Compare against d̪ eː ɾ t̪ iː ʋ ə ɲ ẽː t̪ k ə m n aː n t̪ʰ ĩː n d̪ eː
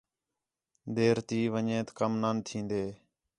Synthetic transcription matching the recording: d̪ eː ɾ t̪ iː ʋ ə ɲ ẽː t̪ k ə m n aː n t̪ʰ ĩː n d̪ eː